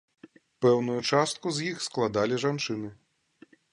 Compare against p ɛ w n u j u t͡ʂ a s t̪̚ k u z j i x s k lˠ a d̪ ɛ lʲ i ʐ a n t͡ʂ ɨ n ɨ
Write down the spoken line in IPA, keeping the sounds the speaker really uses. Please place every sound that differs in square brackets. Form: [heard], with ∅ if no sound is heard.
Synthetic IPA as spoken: p ɛ w n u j u t͡ʂ a s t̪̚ k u z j i x s k lˠ a d̪ [a] lʲ i ʐ a n t͡ʂ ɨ n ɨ